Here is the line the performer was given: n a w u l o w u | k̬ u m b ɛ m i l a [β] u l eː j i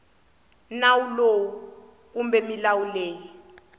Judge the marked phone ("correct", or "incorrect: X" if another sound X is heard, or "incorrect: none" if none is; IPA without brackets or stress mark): incorrect: w